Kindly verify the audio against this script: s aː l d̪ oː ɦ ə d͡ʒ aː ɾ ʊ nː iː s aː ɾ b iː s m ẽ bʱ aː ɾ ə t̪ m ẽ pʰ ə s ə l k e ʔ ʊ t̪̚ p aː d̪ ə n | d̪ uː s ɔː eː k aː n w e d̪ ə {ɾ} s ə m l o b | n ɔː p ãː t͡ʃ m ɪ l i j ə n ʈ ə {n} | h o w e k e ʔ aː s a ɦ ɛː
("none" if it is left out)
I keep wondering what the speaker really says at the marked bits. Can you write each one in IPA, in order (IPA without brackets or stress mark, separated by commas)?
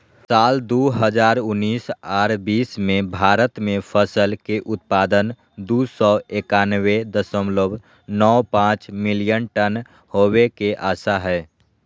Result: none, n